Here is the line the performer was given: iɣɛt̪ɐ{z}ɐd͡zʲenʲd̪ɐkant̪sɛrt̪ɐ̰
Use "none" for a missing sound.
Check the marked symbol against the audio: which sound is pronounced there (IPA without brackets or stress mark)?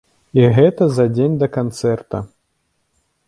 z